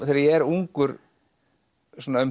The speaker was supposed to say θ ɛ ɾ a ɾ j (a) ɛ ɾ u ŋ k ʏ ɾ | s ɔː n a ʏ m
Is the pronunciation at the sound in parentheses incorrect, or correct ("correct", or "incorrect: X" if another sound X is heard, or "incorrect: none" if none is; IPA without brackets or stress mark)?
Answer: incorrect: ɛ